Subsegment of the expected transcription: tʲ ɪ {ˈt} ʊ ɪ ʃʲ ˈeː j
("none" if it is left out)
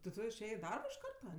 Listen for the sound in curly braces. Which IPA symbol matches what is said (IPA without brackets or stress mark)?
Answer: t